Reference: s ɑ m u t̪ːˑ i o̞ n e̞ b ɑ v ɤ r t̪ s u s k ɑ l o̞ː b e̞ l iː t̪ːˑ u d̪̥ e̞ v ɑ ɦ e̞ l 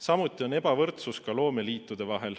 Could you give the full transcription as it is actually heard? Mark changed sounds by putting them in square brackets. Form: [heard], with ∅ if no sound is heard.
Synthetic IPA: s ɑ m u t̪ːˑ i o̞ n e̞ b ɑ v ɤ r t̪ s u s k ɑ l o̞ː [m] e̞ l iː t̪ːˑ u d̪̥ e̞ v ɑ ɦ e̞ l

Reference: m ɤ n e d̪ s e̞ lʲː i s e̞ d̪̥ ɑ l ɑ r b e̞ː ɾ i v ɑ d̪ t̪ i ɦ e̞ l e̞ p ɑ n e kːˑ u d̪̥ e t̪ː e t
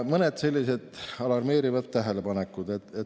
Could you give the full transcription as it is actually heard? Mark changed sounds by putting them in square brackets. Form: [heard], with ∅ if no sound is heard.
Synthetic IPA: m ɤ n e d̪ s e̞ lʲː i s e̞ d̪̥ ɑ l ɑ r [m] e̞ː ɾ i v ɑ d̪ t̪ [æ] ɦ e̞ l e̞ p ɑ n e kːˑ u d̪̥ e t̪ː e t

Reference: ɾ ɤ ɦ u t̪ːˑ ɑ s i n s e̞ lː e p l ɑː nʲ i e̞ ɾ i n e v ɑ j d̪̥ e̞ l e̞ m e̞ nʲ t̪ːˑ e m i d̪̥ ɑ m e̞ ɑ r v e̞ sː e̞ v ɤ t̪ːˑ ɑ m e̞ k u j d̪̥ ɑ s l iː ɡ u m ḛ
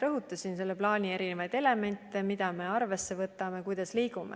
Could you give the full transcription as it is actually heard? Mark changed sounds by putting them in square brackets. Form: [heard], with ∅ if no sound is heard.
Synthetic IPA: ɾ ɤ ɦ u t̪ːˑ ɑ s i n s e̞ lː e p l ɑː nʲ i e̞ ɾ i n e v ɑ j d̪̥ e̞ l e̞ m e̞ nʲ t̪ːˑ e m i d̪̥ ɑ m e̞ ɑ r v e̞ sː e̞ v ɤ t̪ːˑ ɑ m e̞ k u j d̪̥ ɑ s l iː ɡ u m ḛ

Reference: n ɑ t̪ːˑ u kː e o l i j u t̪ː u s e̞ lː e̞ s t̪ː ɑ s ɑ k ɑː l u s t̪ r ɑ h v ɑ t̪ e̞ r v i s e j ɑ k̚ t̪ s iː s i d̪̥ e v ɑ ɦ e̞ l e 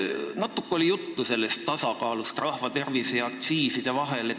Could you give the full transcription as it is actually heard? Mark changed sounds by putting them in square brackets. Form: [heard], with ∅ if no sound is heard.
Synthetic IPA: n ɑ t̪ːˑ u kː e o l i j u t̪ː u s e̞ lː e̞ s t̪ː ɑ s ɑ k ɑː l u s t̪ r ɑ h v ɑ t̪ e̞ r v i s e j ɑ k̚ t̪ s iː s i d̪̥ e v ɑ ɦ e̞ l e

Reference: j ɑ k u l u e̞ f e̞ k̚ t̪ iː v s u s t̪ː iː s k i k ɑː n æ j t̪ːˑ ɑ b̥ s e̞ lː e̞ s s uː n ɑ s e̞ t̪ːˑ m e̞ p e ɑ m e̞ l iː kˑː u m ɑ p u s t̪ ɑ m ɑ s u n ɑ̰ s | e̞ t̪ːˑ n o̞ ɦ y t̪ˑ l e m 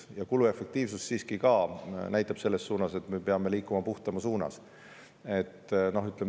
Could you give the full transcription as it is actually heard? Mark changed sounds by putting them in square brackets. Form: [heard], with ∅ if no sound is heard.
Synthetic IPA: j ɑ k u l u e̞ f e̞ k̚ t̪ iː v s u s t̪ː iː s k i k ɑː n æ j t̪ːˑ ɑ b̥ s e̞ lː e̞ s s uː n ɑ s e̞ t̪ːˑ m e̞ p e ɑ m e̞ l iː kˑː u m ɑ p u [h] t̪ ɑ m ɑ s [uː] n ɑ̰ s | e̞ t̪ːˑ n o̞ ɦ y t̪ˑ l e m

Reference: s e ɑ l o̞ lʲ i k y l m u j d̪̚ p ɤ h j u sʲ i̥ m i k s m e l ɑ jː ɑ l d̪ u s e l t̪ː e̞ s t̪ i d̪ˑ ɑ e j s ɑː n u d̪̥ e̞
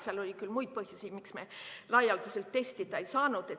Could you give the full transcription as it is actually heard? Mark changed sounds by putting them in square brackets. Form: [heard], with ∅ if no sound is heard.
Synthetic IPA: s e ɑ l o̞ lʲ i k y l m u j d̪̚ p ɤ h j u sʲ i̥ m i k s m e l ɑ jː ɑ l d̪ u s e l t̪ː e̞ s t̪ i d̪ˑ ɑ e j s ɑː n u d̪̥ e̞

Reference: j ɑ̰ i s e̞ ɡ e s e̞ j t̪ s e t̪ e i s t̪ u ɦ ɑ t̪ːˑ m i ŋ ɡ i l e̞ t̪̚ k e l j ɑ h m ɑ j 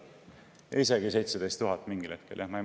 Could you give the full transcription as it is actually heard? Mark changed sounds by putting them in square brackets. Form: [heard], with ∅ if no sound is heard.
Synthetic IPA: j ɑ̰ i s e̞ ɡ [i] s e̞ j t̪ s e [d̪] e [j] s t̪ u ɦ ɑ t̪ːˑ m i ŋ ɡ i l e̞ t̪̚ k e l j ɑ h m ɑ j

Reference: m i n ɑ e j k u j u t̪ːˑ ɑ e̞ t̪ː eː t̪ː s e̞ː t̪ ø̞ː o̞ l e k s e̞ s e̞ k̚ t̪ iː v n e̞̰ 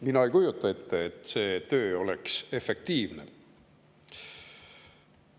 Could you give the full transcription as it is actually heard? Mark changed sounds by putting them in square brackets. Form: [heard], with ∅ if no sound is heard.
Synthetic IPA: m i n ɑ e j k u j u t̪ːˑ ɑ e̞ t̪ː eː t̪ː s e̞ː t̪ ø̞ː o̞ l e k s e̞ [f] e̞ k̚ t̪ iː v n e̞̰

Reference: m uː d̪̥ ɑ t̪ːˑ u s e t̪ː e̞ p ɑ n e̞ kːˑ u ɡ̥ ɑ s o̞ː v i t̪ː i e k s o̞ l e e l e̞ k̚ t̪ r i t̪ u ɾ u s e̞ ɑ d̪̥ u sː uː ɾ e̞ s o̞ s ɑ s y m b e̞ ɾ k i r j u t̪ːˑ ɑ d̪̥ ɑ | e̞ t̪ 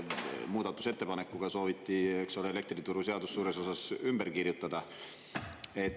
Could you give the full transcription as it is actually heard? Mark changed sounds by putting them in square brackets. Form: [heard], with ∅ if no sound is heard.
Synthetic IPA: m uː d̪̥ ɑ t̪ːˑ u s e t̪ː e̞ p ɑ n e̞ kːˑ u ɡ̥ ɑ s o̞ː v i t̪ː i e k s o̞ l e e l e̞ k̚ t̪ r i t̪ u ɾ u s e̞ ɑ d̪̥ u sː uː ɾ e̞ s o̞ s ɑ s y m b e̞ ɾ k i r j u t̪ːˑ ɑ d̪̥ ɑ | e̞ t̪

